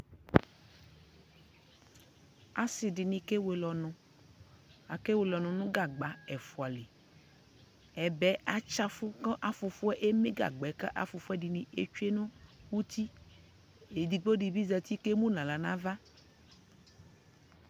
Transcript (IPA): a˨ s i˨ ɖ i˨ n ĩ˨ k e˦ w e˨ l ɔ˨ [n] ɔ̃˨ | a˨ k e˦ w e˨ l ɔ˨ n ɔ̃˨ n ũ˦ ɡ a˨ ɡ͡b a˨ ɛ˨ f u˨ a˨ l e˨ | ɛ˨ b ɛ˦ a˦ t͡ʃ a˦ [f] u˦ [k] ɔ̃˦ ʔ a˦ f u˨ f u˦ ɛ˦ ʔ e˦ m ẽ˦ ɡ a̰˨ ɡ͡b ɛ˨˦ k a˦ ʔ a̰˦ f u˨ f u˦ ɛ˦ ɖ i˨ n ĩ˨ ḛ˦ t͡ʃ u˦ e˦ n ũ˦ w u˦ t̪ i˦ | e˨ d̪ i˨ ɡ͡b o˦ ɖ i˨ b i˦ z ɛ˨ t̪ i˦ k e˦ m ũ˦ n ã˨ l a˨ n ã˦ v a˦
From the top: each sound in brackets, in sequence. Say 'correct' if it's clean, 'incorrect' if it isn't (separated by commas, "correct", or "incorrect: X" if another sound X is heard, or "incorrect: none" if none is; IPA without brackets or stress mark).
correct, correct, correct